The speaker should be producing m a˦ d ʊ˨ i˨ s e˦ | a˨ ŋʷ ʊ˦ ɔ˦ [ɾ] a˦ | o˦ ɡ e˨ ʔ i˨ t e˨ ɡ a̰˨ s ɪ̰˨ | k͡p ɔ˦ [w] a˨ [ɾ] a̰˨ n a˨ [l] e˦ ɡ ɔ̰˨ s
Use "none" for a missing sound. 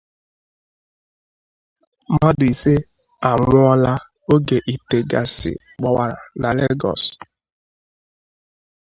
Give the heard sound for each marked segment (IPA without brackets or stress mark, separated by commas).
l, w, ɾ, l